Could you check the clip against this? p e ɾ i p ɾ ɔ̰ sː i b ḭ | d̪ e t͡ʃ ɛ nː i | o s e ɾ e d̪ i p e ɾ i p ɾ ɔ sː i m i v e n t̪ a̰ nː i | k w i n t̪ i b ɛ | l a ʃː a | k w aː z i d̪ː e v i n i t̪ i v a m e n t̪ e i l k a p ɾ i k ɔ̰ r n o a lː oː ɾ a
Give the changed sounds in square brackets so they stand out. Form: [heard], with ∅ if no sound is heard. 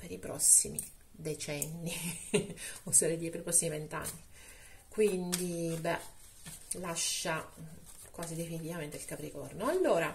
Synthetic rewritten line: p e ɾ i p ɾ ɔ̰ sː i [m] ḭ | d̪ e t͡ʃ ɛ nː i | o s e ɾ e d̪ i p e ɾ i p ɾ ɔ sː i m i v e n t̪ a̰ nː i | k w i n [d̪] i b ɛ | l a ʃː a | k w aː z i [d̪] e [f] i n i t̪ i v a m e n t̪ e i l k a p ɾ i k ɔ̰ r n o a lː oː ɾ a

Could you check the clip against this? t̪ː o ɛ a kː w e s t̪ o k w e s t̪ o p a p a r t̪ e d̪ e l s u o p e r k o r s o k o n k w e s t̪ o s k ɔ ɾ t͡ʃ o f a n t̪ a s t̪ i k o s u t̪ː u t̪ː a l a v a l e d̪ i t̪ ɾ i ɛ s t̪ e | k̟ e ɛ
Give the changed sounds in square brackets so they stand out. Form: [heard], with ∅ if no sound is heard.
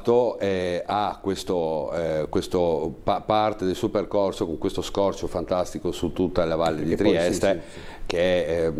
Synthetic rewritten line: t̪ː o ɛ a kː w e s t̪ o k w e s t̪ o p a p a r t̪ e d̪ e l s u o p e r k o r s o k o [ŋ] k w e s t̪ o s k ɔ [r] t͡ʃ o f a n t̪ a s t̪ i k o s u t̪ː u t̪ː a l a v a [lː] e d̪ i t̪ ɾ i ɛ s t̪ e | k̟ e ɛ

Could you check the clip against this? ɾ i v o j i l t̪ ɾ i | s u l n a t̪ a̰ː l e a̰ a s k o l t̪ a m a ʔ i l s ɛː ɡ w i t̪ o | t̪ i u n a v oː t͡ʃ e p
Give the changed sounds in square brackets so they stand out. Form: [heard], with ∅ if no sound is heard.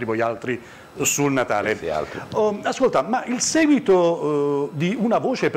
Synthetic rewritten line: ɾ i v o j [a] l t̪ ɾ i | s u l n a t̪ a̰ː l e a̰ a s k o l t̪ a m a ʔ i l s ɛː ɡ w i t̪ o | [d̪] i u n a v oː t͡ʃ e p

